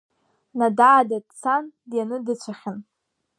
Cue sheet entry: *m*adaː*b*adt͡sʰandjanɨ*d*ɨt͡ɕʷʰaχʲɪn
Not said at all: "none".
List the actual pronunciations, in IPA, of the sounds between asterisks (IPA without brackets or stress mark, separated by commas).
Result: n, d, d